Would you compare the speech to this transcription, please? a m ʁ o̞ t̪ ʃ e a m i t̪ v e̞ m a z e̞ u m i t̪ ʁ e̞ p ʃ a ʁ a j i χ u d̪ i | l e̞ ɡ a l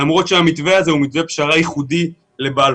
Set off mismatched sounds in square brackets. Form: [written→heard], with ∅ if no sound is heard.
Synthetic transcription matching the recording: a m ʁ o̞ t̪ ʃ e a m i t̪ v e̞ [m→∅] a z e̞ u m i t̪ [ʁ→v] e̞ p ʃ a ʁ a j i χ u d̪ i | l e̞ [ɡ→b] a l